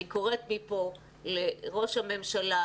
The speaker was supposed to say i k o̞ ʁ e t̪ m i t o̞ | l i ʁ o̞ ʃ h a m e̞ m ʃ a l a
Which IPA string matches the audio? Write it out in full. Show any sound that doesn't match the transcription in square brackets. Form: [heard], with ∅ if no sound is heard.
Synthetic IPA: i k o̞ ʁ e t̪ m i [p] o̞ | l [e] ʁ o̞ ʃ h a m e̞ m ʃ a l a